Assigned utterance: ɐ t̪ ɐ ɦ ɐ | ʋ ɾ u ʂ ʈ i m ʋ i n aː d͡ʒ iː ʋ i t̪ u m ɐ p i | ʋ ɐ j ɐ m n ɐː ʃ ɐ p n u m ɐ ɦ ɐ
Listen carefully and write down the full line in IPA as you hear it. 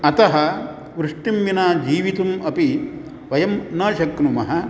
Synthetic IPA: ɐ t̪ ɐ ɦ ɐ | ʋ ɾ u ʂ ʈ i m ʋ i n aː d͡ʒ iː ʋ i t̪ u m ɐ p i | ʋ ɐ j ɐ m n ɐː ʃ ɐ k n u m ɐ ɦ ɐ